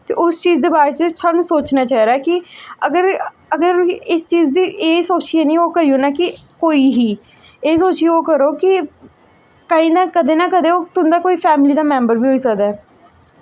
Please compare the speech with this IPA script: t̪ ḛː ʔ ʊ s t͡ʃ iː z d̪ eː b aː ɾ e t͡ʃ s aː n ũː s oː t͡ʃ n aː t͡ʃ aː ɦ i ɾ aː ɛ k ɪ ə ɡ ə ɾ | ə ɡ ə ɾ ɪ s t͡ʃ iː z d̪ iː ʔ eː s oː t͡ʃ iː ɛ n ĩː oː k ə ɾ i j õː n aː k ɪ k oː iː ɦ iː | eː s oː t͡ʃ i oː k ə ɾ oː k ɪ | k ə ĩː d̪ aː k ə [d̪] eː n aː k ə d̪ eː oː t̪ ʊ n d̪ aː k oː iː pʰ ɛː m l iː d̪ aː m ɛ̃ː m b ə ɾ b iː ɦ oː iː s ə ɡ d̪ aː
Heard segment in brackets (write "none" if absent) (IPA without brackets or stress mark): d̪